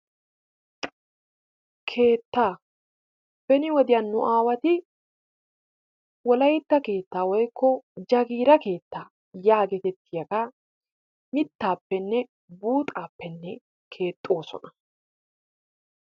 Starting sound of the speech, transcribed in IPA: kʰ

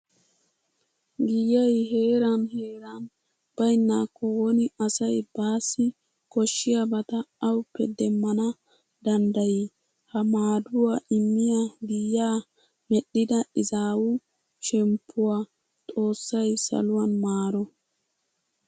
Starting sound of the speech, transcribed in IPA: ɡ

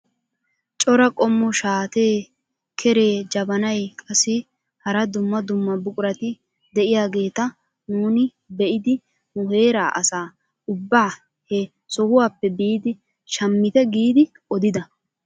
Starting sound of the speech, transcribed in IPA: t͡ʃʼ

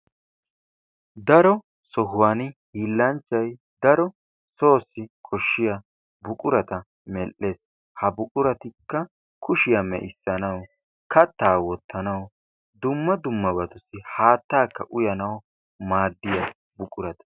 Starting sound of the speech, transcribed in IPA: d̪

